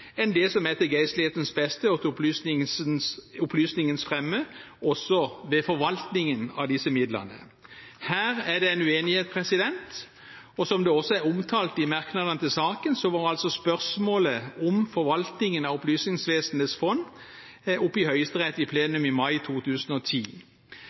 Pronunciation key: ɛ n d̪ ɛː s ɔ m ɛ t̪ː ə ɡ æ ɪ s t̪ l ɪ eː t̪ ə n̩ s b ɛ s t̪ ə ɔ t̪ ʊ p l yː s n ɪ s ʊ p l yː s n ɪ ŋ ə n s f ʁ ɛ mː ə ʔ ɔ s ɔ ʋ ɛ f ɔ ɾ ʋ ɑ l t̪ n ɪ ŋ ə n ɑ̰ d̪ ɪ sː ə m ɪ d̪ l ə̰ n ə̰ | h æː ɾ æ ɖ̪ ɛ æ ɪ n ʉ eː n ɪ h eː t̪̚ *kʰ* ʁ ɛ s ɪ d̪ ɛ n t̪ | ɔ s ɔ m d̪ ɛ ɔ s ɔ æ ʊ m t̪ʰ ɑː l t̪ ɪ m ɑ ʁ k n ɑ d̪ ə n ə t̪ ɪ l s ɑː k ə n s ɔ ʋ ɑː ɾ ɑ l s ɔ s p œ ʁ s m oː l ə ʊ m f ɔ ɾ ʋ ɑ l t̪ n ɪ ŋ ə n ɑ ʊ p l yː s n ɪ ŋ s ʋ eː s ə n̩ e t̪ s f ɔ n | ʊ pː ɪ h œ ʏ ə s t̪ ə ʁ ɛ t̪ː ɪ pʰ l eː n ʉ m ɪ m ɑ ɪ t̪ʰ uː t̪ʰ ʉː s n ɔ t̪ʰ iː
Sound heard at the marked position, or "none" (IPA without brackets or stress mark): pʰ